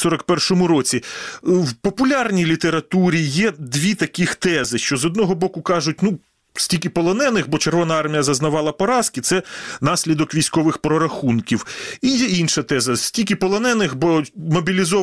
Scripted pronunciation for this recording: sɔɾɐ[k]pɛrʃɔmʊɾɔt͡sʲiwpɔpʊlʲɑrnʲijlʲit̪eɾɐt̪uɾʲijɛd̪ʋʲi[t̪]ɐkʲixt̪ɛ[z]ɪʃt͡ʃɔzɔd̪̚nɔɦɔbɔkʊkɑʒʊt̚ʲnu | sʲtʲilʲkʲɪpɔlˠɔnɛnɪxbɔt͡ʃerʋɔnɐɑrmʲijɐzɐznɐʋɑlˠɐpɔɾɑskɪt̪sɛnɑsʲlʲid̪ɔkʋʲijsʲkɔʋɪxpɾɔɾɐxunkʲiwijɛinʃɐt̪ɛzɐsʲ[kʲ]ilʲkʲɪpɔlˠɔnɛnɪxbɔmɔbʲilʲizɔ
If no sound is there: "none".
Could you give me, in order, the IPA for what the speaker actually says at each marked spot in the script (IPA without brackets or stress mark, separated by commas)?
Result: k, t̪, z, tʲ